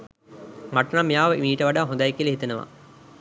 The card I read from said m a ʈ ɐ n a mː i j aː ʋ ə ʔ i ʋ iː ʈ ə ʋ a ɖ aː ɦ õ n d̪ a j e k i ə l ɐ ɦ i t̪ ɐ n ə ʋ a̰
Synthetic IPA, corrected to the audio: m a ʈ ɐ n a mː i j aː ʋ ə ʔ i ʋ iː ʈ ə ʋ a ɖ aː ɦ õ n d̪ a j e k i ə l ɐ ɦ i t̪ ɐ n ə ʋ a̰